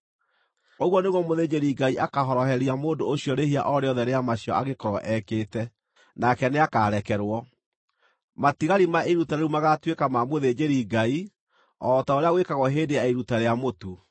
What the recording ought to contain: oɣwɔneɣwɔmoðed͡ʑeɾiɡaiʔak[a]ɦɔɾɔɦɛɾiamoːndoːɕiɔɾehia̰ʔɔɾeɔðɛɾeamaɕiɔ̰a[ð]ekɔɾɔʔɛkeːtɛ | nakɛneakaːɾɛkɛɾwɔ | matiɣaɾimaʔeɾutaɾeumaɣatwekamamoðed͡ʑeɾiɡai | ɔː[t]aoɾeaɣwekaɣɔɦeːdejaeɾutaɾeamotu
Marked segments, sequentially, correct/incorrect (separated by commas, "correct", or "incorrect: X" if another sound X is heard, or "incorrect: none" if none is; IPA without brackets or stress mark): correct, incorrect: ɣ, correct